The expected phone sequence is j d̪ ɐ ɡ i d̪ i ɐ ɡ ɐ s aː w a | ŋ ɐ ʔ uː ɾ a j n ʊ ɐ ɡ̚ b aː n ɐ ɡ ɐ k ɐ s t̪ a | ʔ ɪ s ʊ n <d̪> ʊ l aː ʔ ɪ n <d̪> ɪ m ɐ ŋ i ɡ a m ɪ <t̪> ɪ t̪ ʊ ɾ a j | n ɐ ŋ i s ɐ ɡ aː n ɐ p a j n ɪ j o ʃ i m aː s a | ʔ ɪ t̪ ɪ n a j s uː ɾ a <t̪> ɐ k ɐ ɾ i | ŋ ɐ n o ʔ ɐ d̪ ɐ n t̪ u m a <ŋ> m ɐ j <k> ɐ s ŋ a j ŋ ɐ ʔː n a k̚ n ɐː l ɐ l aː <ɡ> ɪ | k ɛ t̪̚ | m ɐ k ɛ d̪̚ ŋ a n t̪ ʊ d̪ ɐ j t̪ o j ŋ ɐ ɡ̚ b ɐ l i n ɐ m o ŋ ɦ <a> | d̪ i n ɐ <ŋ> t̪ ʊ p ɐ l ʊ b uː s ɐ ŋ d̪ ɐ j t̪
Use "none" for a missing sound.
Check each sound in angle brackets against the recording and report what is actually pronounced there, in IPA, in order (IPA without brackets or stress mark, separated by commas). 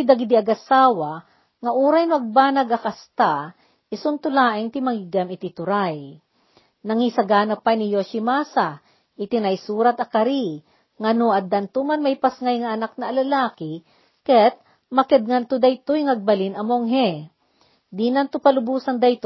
t̪, t̪, t̪, t̪, n, p, k, ɛ, n